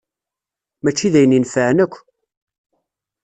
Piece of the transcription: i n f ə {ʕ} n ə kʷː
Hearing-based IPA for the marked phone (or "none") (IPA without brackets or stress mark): ʕ